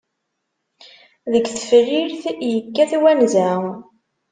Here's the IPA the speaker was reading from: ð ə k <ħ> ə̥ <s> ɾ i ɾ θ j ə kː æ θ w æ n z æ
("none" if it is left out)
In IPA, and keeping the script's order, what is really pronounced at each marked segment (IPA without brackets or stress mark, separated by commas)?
θ, f